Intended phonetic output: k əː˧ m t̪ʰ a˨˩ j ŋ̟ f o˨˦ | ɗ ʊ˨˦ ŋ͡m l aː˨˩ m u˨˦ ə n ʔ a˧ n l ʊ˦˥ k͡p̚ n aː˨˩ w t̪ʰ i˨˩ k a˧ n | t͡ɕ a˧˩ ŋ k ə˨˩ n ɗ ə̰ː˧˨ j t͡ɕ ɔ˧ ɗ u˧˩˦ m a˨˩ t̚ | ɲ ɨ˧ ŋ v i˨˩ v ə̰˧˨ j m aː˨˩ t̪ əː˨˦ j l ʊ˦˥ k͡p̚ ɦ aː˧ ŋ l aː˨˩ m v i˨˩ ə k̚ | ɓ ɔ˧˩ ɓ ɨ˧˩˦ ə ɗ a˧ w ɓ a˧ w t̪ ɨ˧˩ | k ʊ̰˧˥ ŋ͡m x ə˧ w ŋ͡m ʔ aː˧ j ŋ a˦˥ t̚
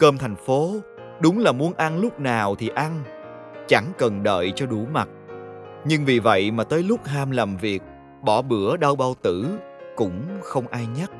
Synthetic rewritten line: k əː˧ m t̪ʰ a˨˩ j ŋ̟ f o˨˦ | ɗ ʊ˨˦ ŋ͡m l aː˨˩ m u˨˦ ə n ʔ a˧ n l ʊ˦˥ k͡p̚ n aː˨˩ w t̪ʰ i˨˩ ʔ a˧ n | t͡ɕ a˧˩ ŋ k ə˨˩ n ɗ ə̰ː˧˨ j t͡ɕ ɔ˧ ɗ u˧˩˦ m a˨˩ t̚ | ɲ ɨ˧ ŋ v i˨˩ v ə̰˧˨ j m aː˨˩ t̪ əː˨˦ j l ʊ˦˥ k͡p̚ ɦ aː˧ m l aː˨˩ m v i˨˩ ə k̚ | ɓ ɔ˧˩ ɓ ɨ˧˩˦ ə ɗ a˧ w ɓ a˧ w t̪ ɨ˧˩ | k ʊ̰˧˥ ŋ͡m x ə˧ w ŋ͡m ʔ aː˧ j ɲ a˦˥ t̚